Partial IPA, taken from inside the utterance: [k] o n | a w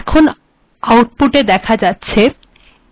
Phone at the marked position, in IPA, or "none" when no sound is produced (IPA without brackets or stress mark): kʰ